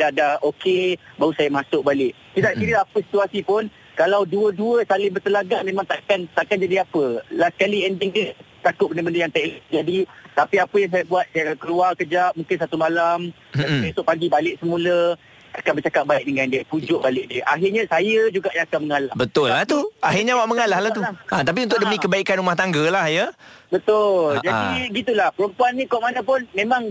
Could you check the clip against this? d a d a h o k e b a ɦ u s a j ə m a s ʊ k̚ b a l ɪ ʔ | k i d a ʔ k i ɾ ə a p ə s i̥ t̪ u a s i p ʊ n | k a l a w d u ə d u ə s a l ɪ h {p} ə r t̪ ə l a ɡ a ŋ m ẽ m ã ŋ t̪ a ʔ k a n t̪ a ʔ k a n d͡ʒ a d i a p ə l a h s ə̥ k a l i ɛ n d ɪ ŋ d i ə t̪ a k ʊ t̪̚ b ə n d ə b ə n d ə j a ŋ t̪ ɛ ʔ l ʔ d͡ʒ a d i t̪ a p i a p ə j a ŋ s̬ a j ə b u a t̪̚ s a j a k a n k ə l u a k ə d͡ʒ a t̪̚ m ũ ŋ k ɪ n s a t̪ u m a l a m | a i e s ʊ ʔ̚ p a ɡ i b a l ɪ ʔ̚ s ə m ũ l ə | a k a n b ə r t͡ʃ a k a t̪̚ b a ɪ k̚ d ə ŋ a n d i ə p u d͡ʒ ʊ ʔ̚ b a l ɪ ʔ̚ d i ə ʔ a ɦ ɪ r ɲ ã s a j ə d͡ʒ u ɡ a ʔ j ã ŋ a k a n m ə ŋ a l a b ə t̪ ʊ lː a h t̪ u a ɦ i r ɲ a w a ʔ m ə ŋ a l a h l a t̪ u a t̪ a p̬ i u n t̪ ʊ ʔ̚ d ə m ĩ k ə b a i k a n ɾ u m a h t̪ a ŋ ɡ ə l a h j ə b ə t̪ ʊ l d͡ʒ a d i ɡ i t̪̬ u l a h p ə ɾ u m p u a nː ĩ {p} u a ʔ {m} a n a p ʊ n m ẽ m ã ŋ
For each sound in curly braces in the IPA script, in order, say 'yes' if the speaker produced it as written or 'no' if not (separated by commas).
no, no, yes